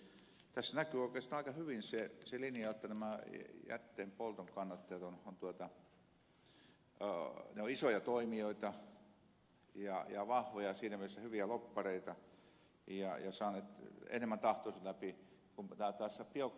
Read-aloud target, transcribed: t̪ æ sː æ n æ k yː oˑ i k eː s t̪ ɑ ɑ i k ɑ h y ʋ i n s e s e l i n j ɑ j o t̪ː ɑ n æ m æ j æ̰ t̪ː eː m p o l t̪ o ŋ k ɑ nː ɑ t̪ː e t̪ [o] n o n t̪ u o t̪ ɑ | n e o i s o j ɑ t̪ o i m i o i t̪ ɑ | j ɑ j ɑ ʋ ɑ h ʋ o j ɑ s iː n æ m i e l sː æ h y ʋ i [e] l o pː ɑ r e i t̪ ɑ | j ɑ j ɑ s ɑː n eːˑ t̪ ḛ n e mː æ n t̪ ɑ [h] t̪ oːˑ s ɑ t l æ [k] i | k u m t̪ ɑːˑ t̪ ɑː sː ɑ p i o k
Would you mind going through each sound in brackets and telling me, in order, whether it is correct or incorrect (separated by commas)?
correct, incorrect, correct, incorrect